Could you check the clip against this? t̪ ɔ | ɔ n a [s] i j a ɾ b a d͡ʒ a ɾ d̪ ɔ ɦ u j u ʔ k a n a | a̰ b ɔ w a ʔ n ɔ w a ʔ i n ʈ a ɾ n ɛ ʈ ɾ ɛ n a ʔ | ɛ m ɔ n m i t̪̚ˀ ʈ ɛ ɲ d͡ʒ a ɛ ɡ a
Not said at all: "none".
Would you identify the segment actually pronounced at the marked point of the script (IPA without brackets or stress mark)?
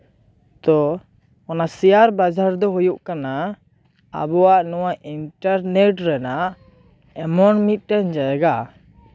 s